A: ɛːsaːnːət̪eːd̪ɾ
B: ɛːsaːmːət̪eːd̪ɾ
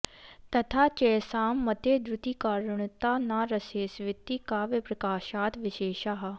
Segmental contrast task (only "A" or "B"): B